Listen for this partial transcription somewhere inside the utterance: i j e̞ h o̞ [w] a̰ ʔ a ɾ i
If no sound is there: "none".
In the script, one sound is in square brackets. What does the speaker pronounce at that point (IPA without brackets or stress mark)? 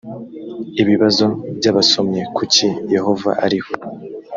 v